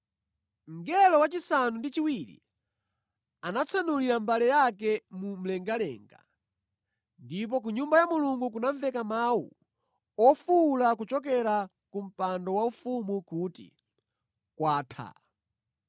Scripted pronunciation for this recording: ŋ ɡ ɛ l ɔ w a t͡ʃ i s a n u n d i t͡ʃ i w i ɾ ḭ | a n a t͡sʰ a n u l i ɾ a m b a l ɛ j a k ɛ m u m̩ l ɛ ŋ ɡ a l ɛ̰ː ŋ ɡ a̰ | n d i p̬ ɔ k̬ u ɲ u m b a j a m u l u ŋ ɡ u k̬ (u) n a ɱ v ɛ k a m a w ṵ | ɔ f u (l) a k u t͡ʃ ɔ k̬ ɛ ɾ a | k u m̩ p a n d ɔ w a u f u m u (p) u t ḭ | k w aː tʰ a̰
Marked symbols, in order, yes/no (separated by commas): yes, yes, no